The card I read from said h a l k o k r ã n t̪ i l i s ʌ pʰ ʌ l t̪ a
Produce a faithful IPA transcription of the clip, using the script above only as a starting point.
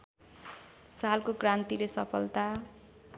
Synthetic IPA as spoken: s a l k o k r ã n t̪ i l e s ʌ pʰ ʌ l t̪ a